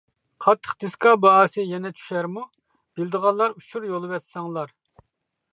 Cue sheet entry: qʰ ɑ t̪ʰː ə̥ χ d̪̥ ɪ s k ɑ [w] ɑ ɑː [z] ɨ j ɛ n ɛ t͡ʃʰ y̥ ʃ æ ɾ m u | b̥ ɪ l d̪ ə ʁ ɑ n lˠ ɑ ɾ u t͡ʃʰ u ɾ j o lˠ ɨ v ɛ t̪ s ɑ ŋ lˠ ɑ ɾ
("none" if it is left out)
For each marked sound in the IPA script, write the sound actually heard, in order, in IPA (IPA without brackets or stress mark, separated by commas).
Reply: b, s